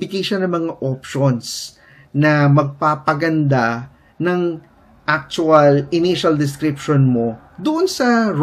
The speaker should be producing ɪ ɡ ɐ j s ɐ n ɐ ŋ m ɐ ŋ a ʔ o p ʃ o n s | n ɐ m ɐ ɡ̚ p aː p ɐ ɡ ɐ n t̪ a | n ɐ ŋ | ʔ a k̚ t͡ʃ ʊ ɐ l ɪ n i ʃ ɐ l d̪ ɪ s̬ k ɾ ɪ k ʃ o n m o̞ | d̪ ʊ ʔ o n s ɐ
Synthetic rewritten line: ɪ ɡ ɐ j ʃ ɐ n ɐ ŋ m ɐ ŋ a ʔ o p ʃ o n s | n ɐ m ɐ ɡ̚ p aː p ɐ ɡ ɐ n d̪ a | n ɐ ŋ | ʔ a k̚ t͡ʃ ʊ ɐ l ɪ n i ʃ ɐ l d̪ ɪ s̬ k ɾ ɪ p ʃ o n m o̞ | d̪ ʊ ʔ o n s ɐ